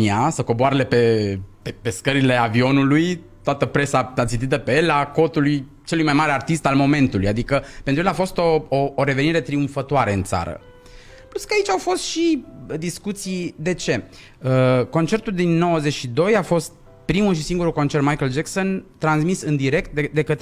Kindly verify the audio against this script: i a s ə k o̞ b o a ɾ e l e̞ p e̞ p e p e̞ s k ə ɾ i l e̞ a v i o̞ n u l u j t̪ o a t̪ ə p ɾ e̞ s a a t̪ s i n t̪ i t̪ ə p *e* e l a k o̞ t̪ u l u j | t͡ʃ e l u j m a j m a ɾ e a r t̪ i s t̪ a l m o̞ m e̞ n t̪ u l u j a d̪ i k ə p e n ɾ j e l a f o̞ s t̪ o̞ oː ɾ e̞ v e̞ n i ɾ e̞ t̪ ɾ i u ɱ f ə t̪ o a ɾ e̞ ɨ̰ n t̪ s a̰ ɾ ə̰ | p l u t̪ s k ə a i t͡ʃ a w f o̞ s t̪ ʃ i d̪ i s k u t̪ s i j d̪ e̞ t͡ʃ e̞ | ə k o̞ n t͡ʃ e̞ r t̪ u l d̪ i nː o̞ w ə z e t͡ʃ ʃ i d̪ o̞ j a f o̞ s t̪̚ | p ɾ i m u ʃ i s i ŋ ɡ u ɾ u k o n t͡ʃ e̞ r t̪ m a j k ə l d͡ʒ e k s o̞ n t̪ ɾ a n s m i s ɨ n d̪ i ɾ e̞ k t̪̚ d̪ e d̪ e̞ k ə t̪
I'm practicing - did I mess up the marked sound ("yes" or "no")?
no